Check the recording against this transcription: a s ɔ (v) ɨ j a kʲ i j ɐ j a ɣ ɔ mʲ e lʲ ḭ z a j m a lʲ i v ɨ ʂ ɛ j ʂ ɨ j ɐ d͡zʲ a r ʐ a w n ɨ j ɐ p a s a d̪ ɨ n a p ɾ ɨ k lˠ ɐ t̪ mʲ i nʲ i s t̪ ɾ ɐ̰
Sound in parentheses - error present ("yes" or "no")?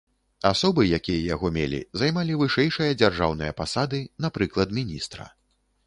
yes